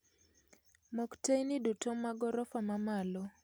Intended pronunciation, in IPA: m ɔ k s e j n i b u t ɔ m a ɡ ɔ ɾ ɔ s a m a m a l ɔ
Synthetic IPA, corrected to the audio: m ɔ k t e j n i d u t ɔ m a ɡ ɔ ɾ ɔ f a m a m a l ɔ